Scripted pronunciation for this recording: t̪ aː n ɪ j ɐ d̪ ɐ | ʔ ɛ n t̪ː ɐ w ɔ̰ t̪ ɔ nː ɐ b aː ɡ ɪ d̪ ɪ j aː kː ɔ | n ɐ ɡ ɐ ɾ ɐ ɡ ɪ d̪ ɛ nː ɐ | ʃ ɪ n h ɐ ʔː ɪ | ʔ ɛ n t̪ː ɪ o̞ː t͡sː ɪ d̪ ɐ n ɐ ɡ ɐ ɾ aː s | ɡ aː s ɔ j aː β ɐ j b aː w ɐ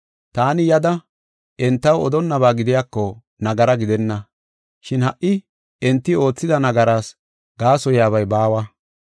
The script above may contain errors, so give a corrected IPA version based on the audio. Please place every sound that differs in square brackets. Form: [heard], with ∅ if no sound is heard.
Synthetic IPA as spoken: t̪ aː n ɪ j ɐ d̪ ɐ | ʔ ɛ n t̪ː ɐ w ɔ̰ [d̪] ɔ nː ɐ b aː ɡ ɪ d̪ ɪ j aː kː ɔ | n ɐ ɡ ɐ ɾ ɐ ɡ ɪ d̪ ɛ nː ɐ | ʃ ɪ n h ɐ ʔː ɪ | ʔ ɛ n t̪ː ɪ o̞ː t͡sː ɪ d̪ ɐ n ɐ ɡ ɐ ɾ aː s | ɡ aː s ɔ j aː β ɐ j b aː w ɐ